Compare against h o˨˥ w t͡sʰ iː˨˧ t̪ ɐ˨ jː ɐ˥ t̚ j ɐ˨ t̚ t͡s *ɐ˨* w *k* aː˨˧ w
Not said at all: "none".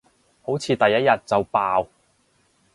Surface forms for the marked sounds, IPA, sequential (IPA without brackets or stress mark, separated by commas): ɐ˨, p